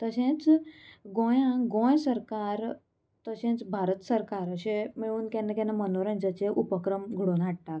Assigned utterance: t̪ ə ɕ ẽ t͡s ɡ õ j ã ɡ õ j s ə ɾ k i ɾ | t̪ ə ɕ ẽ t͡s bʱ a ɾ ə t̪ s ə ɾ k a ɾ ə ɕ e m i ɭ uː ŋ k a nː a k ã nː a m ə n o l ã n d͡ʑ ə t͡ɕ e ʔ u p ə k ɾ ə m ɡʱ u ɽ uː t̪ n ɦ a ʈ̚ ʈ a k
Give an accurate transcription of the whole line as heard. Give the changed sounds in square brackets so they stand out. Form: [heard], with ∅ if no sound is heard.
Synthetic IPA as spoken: t̪ ə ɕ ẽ t͡s ɡ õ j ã ɡ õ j s ə ɾ k [a] ɾ | t̪ ə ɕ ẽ t͡s bʱ a ɾ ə t̪ s ə ɾ k a ɾ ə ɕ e m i ɭ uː [n] k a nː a k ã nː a m ə n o [ɾ] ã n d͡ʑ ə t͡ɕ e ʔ u p ə k ɾ ə m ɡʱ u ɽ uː [∅] n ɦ a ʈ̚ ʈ a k